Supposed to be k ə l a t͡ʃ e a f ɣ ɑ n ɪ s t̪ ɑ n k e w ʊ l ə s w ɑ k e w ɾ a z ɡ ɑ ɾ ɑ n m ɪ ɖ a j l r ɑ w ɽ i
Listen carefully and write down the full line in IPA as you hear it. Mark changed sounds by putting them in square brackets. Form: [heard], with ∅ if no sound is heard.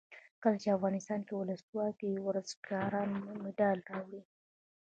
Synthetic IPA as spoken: k ə l a t͡ʃ e a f ɣ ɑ n ɪ s t̪ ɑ n k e w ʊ l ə s w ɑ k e w ɾ a z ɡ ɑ ɾ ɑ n m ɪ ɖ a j l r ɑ w ɽ i